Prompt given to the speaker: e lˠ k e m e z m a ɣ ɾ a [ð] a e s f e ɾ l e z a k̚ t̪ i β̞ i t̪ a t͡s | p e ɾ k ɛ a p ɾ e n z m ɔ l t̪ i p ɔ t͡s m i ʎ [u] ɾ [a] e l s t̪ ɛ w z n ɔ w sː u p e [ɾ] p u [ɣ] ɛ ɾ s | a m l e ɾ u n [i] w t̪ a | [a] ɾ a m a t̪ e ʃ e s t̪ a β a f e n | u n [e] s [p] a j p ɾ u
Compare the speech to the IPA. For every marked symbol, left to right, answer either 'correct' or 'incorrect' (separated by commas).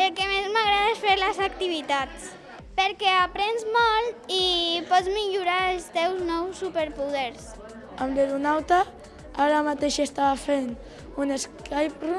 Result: correct, correct, correct, correct, incorrect, incorrect, correct, correct, incorrect